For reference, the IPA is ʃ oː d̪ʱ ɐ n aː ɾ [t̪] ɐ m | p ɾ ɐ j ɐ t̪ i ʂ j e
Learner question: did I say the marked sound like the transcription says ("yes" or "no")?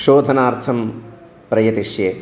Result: no